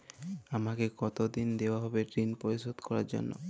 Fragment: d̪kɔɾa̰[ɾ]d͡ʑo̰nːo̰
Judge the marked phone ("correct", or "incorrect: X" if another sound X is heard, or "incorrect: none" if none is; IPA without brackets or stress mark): correct